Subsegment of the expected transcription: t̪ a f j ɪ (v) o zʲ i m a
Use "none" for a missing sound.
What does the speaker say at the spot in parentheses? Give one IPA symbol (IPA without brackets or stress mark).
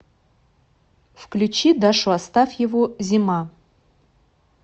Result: v